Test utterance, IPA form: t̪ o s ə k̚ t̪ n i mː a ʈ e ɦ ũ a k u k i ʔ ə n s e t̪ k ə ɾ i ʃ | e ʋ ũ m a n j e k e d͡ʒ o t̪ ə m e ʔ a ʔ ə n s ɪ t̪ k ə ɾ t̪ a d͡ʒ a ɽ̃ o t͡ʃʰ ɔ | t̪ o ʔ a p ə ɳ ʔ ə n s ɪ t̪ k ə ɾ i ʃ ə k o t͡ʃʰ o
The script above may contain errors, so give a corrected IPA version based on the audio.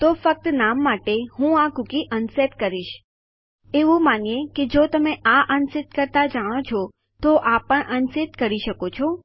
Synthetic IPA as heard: t̪ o f ə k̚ t̪ n a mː a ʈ e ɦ ũ a k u k i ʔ ə n s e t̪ k ə ɾ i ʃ | e ʋ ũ m a n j e k e d͡ʒ o t̪ ə m e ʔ a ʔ ə n s ɪ t̪ k ə ɾ t̪ a d͡ʒ a ɽ̃ o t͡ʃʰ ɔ | t̪ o ʔ a p ə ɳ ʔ ə n s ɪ t̪ k ə ɾ i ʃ ə k o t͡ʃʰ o